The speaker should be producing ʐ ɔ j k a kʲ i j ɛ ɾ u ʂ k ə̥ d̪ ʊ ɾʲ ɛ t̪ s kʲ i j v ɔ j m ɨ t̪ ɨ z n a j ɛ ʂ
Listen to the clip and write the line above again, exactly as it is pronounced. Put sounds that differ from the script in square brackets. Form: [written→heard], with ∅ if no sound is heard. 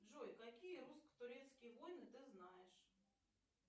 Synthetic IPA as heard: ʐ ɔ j k a kʲ i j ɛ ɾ u [ʂ→s] k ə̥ [d̪→t̪] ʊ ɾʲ ɛ t̪ s kʲ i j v ɔ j [m→n] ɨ t̪ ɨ z n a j ɛ ʂ